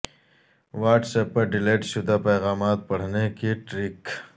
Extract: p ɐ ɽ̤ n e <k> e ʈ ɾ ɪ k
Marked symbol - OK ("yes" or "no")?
yes